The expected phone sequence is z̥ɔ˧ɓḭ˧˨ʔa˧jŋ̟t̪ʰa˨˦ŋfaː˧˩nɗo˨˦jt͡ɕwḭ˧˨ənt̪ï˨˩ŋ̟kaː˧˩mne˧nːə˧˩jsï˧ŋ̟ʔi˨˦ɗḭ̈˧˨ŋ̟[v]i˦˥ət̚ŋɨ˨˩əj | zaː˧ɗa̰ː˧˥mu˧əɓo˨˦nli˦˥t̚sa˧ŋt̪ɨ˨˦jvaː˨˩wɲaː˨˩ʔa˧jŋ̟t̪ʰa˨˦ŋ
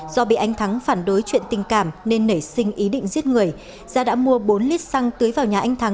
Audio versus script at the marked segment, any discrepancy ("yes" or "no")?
yes